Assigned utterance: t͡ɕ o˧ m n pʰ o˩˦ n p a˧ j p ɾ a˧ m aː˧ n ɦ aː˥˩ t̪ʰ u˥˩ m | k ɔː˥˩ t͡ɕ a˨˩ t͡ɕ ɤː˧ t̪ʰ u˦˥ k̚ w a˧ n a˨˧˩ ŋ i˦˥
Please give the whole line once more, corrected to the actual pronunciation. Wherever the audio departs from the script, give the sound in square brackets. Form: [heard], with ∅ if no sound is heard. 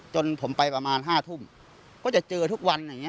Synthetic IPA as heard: t͡ɕ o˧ [∅] n pʰ o˩˦ [m] p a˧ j p ɾ a˧ m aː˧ n ɦ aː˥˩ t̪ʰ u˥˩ m | k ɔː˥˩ t͡ɕ a˨˩ t͡ɕ ɤː˧ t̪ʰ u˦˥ k̚ w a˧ n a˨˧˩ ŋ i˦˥